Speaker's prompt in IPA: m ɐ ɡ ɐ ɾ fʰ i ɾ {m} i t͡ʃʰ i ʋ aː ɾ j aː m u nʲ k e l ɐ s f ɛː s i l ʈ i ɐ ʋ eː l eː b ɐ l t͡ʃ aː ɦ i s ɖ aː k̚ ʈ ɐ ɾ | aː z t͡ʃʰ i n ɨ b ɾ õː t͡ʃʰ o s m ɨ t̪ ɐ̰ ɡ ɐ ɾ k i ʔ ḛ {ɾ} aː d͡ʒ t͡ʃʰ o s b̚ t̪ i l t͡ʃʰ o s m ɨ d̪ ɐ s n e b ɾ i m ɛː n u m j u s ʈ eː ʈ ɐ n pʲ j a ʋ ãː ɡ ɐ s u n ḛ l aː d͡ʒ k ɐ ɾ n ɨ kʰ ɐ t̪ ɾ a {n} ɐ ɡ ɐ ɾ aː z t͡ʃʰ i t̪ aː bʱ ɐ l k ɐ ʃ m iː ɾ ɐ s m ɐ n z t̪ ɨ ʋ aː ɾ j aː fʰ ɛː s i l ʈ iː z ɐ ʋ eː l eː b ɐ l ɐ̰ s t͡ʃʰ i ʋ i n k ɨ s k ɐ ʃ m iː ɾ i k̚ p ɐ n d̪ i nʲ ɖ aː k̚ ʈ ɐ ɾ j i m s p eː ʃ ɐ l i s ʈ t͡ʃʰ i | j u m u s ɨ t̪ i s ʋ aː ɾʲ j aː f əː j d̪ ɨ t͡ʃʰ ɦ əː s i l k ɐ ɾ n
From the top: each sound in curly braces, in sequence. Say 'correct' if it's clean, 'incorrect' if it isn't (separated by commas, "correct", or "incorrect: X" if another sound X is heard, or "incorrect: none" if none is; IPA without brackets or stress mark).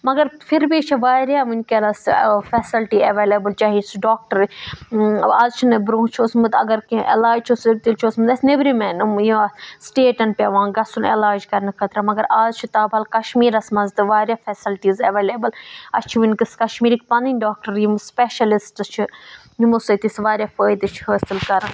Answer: incorrect: b, incorrect: l, incorrect: m